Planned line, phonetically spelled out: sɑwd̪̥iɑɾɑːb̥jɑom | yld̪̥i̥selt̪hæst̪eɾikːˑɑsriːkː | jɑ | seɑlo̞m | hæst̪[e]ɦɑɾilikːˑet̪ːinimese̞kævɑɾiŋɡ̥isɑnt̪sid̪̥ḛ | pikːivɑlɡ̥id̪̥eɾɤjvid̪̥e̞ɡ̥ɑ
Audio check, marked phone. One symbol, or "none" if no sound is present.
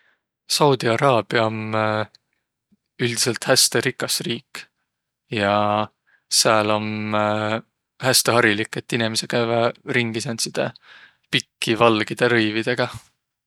e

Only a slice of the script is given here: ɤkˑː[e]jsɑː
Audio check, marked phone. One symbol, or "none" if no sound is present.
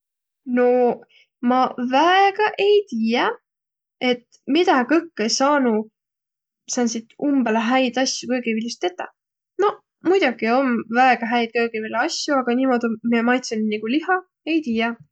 e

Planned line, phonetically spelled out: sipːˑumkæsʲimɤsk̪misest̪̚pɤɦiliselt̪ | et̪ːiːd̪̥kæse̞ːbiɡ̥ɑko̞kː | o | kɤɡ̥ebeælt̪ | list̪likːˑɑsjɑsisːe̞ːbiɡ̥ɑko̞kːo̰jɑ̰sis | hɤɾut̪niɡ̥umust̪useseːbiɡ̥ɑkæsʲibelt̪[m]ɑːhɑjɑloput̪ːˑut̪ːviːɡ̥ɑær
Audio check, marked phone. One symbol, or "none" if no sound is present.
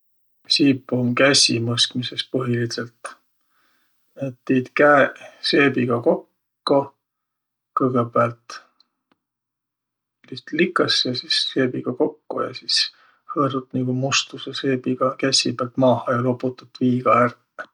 m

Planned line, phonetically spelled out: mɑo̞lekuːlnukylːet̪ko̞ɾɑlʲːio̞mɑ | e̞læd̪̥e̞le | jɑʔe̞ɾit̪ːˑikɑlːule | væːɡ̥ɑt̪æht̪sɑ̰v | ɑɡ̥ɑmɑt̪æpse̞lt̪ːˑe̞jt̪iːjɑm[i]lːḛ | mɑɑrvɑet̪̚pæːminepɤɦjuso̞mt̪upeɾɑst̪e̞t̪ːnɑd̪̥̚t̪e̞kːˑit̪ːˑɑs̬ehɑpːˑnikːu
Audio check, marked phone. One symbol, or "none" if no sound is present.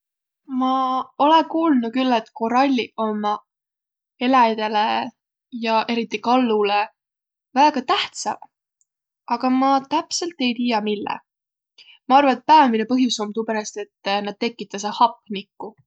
i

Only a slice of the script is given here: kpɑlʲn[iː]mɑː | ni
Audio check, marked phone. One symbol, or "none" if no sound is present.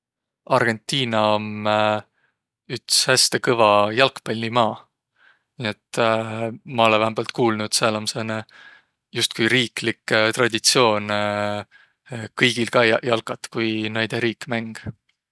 i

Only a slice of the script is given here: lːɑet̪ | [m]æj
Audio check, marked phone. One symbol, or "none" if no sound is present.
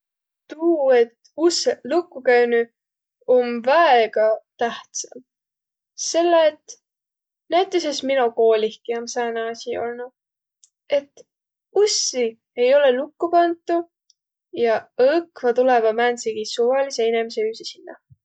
n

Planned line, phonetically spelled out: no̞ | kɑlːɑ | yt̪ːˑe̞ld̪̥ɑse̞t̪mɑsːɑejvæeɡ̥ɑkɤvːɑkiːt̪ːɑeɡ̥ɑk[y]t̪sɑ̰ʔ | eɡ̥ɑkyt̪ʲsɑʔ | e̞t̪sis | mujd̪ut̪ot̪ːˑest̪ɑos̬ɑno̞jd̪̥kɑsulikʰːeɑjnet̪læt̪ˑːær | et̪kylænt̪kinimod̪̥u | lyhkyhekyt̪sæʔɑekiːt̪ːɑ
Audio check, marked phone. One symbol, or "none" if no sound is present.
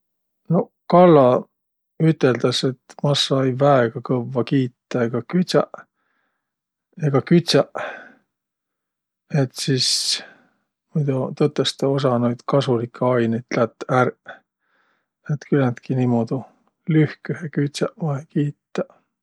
y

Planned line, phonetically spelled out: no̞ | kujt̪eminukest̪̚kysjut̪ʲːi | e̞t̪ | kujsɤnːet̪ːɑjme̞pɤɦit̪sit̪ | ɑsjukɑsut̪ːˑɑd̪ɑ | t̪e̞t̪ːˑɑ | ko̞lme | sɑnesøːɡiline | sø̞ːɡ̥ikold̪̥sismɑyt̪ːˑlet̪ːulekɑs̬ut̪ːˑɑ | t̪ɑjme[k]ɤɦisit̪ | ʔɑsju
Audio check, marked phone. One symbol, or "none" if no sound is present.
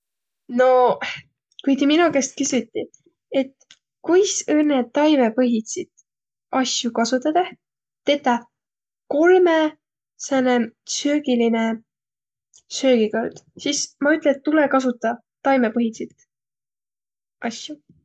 p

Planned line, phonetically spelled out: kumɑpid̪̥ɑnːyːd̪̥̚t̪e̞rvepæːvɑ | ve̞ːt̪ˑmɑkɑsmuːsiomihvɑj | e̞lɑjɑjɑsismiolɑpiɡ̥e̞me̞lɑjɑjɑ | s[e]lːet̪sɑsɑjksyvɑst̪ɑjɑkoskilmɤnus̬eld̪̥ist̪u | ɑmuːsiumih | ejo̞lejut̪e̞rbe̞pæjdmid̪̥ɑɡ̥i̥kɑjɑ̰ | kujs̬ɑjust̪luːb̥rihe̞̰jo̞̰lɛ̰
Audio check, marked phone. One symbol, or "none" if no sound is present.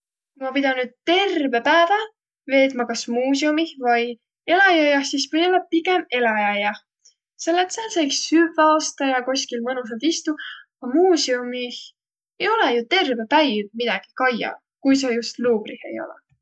e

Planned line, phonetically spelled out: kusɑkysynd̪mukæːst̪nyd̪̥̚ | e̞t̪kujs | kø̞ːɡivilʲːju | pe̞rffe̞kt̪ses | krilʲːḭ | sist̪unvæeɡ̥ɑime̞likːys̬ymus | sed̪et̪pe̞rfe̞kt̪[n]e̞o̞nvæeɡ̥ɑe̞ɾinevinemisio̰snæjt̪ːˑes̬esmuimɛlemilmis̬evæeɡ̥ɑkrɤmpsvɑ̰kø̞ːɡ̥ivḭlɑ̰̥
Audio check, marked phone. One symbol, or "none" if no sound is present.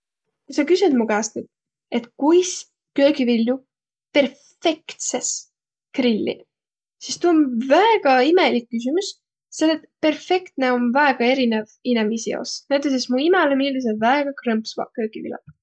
n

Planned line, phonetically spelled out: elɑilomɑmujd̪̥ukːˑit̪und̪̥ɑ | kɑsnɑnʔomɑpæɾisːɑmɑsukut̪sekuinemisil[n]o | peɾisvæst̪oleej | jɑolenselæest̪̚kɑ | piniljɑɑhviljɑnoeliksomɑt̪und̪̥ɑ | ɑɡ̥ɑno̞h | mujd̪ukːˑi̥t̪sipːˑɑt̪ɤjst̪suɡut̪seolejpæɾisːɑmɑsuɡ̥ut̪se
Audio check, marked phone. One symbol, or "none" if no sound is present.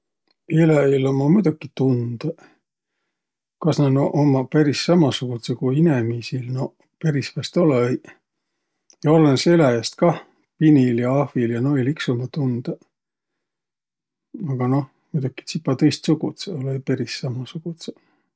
n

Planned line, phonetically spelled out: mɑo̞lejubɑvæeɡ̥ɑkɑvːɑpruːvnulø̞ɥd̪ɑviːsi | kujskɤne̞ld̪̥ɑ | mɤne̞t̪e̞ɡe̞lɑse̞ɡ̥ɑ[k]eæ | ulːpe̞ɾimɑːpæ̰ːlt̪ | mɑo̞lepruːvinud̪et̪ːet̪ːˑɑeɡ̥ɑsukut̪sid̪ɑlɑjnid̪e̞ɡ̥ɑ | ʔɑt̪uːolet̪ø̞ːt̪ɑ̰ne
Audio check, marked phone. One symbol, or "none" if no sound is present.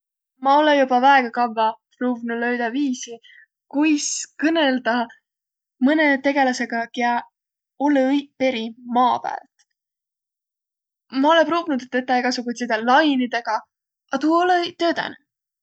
k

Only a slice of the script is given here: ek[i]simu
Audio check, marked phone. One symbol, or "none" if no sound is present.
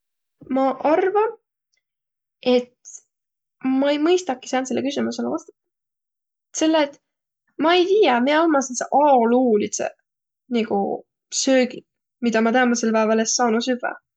y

